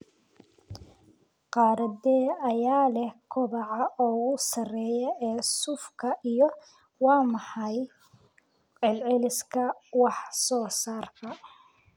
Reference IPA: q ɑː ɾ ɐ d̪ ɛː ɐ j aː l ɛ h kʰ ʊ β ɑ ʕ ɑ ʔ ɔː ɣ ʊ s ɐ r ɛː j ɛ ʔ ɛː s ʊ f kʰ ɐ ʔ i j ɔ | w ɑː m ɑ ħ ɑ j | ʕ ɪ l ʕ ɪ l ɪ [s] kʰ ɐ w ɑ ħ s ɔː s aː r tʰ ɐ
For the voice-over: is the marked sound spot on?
yes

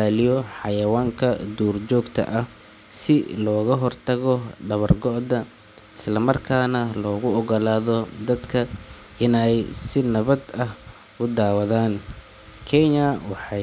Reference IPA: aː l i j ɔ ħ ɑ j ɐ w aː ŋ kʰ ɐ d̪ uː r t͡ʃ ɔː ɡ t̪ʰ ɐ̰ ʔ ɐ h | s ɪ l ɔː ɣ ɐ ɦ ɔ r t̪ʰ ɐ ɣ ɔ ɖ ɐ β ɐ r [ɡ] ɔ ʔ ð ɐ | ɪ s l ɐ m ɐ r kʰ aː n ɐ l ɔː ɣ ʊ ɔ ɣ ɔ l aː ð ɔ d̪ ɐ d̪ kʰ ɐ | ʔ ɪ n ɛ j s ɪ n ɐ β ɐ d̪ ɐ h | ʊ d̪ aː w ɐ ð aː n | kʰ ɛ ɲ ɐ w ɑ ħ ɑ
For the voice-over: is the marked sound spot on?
yes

